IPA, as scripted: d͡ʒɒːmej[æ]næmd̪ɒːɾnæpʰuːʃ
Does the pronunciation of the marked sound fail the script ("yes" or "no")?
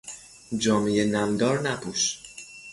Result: yes